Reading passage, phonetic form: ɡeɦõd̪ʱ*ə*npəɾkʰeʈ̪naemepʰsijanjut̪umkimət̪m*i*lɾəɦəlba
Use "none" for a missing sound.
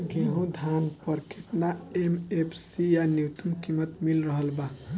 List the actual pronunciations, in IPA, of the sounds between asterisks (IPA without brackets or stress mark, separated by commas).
a, i